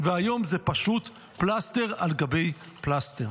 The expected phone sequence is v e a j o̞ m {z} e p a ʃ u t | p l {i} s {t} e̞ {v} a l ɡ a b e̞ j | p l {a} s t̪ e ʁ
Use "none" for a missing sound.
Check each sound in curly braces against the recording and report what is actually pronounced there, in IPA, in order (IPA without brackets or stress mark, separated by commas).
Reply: z, a, t, ʁ, a